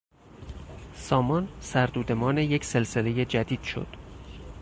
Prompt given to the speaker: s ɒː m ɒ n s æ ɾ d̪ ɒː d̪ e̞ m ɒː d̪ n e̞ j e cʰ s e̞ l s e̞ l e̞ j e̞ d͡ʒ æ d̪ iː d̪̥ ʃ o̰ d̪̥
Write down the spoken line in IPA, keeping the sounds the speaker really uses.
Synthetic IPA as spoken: s ɒː m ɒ n s æ ɾ d̪ uː d̪ e̞ m ɒː n e̞ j e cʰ s e̞ l s e̞ l e̞ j e̞ d͡ʒ æ d̪ iː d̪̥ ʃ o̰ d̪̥